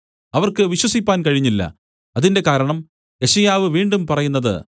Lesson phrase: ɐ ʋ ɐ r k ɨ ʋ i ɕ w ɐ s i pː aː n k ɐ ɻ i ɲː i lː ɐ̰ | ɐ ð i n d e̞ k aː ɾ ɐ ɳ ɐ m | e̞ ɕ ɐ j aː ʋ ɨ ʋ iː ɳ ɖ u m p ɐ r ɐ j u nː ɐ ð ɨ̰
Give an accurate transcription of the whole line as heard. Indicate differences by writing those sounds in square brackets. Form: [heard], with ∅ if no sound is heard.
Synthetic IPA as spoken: ɐ ʋ ɐ r k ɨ ʋ i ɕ w ɐ s i pː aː n k ɐ ɻ i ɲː i lː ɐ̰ | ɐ ð i n d e̞ k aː ɾ ɐ ɳ ɐ m | e̞ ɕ ɐ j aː ʋ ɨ ʋ iː ɳ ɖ u m p ɐ r ɐ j u nː ɐ ð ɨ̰